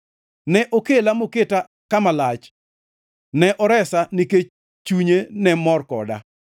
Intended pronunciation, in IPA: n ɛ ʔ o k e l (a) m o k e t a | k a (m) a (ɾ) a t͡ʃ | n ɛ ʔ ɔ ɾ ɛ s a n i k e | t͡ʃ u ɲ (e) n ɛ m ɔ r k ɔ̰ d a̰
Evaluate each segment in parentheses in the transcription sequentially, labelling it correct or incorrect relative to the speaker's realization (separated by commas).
correct, correct, incorrect, correct